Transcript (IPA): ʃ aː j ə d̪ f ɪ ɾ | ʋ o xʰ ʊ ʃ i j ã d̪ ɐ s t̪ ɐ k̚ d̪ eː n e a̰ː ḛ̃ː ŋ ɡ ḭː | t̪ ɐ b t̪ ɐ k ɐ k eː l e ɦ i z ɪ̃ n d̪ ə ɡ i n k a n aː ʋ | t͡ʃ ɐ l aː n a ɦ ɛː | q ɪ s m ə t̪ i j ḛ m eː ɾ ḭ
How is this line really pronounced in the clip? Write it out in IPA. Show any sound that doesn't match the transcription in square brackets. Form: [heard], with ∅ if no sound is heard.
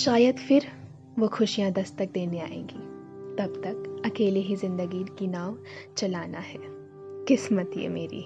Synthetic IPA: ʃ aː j ə d̪ f ɪ ɾ | ʋ o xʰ ʊ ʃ i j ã d̪ ɐ s t̪ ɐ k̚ d̪ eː n e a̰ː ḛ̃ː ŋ ɡ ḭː | t̪ ɐ b t̪ ɐ k ɐ k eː l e ɦ i z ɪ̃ n d̪ ə ɡ i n k [i] n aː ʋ | t͡ʃ ɐ l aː n a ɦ ɛː | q ɪ s m ə t̪ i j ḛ m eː ɾ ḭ